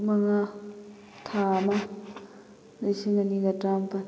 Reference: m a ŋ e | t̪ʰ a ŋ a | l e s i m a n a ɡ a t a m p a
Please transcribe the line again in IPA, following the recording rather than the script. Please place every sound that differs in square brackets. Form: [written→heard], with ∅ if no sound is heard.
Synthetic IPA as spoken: m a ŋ [e→a] | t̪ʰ a [ŋ→m] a | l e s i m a n [a→i] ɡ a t a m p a